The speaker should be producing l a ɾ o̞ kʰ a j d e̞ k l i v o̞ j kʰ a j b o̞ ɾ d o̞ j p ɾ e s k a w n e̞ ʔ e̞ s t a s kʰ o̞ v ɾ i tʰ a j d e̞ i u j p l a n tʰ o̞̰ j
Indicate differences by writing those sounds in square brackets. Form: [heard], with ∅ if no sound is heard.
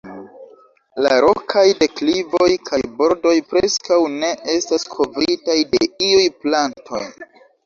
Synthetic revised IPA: l a ɾ o̞ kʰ a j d e̞ k l i v o̞ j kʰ a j b o̞ ɾ d o̞ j p ɾ e s k a w n e̞ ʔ e̞ s t a s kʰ o̞ v ɾ i [t] a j d e̞ i u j p l a n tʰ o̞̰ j

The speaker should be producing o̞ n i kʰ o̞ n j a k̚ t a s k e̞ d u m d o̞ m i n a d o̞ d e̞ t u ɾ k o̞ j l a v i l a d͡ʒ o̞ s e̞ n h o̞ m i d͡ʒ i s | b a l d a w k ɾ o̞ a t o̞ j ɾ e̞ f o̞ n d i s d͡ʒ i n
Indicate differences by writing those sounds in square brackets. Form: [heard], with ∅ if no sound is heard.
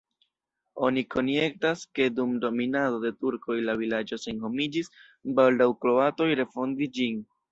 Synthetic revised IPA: o̞ n i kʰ o̞ n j [e] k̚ t a s k e̞ d u m d o̞ m i n a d o̞ d e̞ t u ɾ k o̞ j l a v i l a d͡ʒ o̞ s e̞ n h o̞ m i d͡ʒ i s | b a l d a w k ɾ o̞ a t o̞ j ɾ e̞ f o̞ n d i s d͡ʒ i n

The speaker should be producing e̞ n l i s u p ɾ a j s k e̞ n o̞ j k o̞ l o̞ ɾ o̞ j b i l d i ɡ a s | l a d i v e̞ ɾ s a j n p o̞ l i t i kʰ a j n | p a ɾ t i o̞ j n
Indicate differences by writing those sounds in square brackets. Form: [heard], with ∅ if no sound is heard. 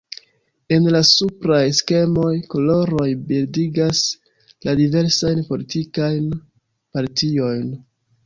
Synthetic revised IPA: e̞ n l [a] s u p ɾ a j s k e̞ [m] o̞ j k o̞ l o̞ ɾ o̞ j b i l d i ɡ a s | l a d i v e̞ ɾ s a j n p o̞ l i t i [k] a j n | p a ɾ t i o̞ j n

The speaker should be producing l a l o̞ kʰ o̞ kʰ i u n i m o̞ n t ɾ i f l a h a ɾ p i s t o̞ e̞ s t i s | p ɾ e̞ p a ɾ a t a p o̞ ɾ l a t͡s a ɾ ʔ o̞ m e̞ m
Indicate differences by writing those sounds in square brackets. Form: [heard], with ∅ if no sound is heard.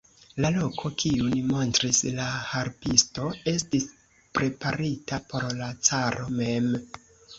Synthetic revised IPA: l a l o̞ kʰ o̞ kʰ i u n i m o̞ n t ɾ i [s] l a h a ɾ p i s t o̞ e̞ s t i s | p ɾ e̞ p a ɾ [i] t a p o̞ ɾ l a t͡s a ɾ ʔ o̞ m e̞ m

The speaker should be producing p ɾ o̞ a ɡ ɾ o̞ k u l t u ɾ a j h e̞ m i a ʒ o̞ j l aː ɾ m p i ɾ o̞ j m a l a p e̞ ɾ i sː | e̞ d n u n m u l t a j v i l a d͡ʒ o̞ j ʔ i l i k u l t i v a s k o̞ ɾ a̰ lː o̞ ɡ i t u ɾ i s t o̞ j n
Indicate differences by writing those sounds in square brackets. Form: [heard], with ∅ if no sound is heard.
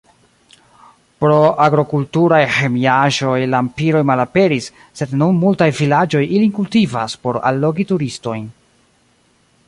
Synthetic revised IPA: p ɾ o̞ a ɡ ɾ o̞ k u l t u ɾ a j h e̞ m i a ʒ o̞ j l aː [∅] m p i ɾ o̞ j m a l a p e̞ ɾ i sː | e̞ d n u n m u l t a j v i l a d͡ʒ o̞ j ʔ i l i k u l t i v a s [p] o̞ ɾ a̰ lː o̞ ɡ i t u ɾ i s t o̞ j n

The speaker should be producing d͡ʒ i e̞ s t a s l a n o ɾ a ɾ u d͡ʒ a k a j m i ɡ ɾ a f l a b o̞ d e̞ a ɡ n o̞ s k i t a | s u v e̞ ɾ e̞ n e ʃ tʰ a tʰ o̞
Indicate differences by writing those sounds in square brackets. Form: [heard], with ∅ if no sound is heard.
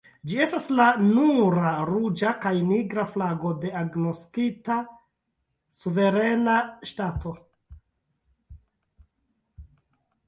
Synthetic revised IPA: d͡ʒ i e̞ s t a s l a n [u] ɾ a ɾ u d͡ʒ a k a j [n] i ɡ ɾ a f l a [ɡ] o̞ d e̞ a ɡ n o̞ s k i t a | s u v e̞ ɾ e̞ n [a] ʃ [t] a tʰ o̞

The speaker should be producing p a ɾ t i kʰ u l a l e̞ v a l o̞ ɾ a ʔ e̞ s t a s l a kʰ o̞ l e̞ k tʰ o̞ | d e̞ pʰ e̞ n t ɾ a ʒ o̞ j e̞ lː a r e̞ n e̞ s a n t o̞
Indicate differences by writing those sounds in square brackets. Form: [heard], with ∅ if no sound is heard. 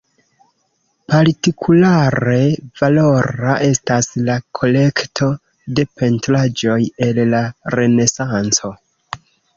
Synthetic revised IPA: p a ɾ t i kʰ u l a [ɾ] e̞ v a l o̞ ɾ a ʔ e̞ s t a s l a kʰ o̞ l e̞ k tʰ o̞ | d e̞ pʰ e̞ n t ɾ a [d͡ʒ] o̞ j e̞ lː a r e̞ n e̞ s a n [t͡s] o̞

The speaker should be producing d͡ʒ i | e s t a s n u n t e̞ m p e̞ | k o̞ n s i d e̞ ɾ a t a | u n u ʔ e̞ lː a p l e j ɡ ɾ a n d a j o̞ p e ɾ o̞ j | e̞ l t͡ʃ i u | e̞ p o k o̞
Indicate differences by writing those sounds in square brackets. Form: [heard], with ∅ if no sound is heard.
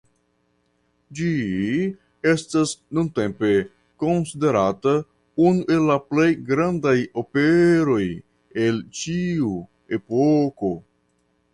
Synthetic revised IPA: d͡ʒ i | e s t a s n u n t e̞ m p e̞ | k o̞ n s i d e̞ ɾ a t a | u n u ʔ e̞ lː a p l e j ɡ ɾ a n d a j o̞ p e ɾ o̞ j | e̞ l t͡ʃ i u | e̞ p o k o̞

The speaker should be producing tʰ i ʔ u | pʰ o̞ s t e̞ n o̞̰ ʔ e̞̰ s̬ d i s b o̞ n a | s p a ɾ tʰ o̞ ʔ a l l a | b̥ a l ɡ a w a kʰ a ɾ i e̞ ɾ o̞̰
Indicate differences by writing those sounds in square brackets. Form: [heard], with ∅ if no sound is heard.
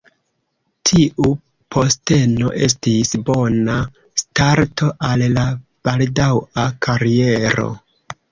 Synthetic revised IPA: tʰ i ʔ u | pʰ o̞ s t e̞ n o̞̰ ʔ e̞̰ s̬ [t] i s b o̞ n a | s [t] a ɾ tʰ o̞ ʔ a l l a | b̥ a l [d] a w a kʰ a ɾ i e̞ ɾ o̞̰

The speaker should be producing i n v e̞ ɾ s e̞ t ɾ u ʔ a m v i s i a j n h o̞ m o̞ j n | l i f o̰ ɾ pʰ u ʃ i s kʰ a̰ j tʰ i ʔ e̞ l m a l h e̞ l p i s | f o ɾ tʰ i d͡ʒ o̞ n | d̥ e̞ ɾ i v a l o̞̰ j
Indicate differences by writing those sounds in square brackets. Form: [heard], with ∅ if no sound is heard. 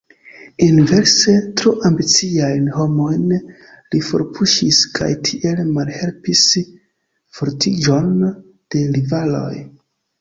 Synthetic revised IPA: i n v e̞ ɾ s e̞ t ɾ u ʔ a m [b] i [t͡s] i a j n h o̞ m o̞ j n | l i f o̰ ɾ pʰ u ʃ i s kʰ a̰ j tʰ i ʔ e̞ l m a l h e̞ l p i s | f o ɾ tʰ i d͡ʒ o̞ n | d̥ e̞ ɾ i v a l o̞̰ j

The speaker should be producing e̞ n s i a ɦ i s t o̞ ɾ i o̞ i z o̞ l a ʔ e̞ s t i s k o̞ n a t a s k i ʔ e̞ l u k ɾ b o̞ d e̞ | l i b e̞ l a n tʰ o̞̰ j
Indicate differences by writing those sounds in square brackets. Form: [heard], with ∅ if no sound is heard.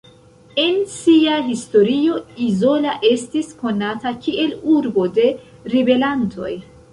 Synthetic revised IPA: e̞ n s i a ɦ i s t o̞ ɾ i o̞ i z o̞ l a ʔ e̞ s t i s k o̞ n a t a [∅] k i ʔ e̞ l u [∅] ɾ b o̞ d e̞ | [ɾ] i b e̞ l a n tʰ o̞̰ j

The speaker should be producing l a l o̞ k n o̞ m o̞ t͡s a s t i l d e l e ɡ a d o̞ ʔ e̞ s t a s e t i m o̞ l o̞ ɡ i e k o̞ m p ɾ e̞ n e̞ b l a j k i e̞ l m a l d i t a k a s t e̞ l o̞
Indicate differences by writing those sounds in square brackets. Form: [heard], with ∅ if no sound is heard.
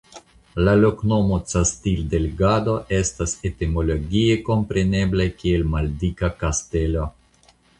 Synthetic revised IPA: l a l o̞ k n o̞ m o̞ t͡s a s t i l d e l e ɡ a d o̞ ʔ e̞ s t a s e t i m o̞ l o̞ ɡ i e k o̞ m p ɾ e̞ n e̞ b l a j k i e̞ l m a l d i [k] a k a s t e̞ l o̞

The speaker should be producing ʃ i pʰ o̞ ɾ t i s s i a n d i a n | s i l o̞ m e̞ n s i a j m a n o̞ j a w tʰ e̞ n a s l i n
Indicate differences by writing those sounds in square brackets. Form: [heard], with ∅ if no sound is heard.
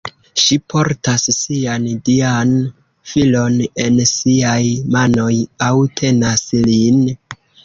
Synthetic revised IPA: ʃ i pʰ o̞ ɾ t [a] s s i a n d i a n | [f] i l o̞ [n] e̞ n s i a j m a n o̞ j a w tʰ e̞ n a s l i n

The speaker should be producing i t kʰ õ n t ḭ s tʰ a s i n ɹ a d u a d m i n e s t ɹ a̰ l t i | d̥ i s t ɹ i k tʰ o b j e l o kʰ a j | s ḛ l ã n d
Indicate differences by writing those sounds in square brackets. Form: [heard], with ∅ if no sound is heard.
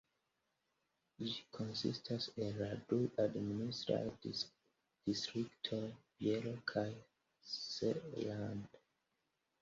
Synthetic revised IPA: i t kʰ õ n [s] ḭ s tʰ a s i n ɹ a d u a d m i n [i] s t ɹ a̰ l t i | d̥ i s t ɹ i k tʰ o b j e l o kʰ a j | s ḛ l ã n d

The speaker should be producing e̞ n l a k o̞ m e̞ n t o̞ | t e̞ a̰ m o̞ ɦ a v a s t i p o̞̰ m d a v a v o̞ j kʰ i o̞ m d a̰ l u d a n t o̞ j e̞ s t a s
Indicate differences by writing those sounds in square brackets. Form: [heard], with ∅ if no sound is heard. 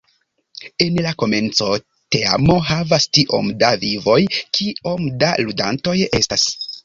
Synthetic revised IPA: e̞ n l a k o̞ m e̞ n [t͡s] o̞ | t e̞ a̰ m o̞ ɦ a v a s t i [ʔ] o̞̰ m d a v [i] v o̞ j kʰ i o̞ m d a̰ l u d a n t o̞ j e̞ s t a s

